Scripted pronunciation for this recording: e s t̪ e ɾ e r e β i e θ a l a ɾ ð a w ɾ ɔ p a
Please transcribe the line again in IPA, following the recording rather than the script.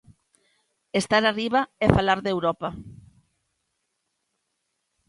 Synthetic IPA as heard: e s t̪ a ɾ a r i β a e f a l a ɾ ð e w ɾ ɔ p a